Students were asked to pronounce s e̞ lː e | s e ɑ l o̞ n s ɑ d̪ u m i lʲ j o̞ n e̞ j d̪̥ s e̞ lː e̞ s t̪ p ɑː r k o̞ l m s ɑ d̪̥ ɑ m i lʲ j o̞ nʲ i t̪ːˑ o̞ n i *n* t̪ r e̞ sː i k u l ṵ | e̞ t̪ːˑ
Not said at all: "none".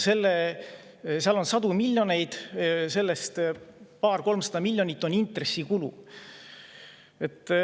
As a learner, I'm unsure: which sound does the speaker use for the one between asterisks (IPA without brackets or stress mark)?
n